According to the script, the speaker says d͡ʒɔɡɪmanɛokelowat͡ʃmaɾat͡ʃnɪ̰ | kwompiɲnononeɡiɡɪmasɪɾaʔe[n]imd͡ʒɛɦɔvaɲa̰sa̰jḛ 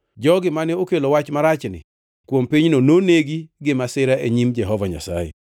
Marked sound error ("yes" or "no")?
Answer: yes